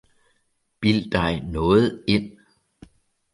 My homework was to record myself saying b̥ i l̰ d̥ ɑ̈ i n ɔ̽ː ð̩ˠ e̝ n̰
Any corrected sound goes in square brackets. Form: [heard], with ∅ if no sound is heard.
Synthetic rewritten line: b̥ i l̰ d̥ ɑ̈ [ɪ] n ɔ̽ː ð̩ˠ e̝ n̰